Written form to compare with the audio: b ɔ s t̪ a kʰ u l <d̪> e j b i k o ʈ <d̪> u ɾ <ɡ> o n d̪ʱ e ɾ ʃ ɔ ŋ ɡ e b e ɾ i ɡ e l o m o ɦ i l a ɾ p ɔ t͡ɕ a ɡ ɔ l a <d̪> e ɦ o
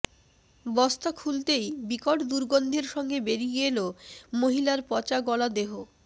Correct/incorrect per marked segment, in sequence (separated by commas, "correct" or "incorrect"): incorrect, correct, correct, correct